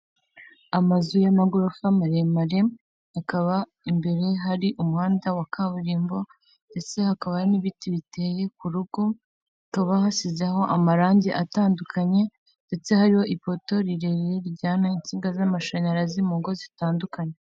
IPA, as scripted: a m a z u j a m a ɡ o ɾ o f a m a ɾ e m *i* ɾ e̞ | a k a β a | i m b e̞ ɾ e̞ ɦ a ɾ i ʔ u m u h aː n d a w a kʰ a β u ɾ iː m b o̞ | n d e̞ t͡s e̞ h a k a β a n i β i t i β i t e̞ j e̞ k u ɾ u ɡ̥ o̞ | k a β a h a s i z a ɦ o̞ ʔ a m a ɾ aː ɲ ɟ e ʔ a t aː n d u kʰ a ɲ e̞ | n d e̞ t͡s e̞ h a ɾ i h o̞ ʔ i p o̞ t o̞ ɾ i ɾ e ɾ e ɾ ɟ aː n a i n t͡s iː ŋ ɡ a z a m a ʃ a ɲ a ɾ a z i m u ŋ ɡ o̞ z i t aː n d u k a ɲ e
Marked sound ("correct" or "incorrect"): incorrect